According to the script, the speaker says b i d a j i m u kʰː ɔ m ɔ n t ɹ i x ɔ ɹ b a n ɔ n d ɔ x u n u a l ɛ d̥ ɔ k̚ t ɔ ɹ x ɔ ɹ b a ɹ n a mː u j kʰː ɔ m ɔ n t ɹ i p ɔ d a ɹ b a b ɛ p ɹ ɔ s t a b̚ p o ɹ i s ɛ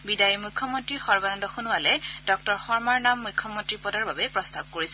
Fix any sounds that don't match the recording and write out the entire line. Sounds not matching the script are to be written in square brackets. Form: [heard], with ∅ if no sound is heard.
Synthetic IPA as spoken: b i d a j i m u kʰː ɔ m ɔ n t ɹ i x ɔ ɹ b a n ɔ n d ɔ x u n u a l ɛ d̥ ɔ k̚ t ɔ ɹ x ɔ ɹ [m] a ɹ n a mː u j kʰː ɔ m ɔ n t ɹ i p ɔ d a ɹ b a b ɛ p ɹ ɔ s t a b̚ [k] o ɹ i s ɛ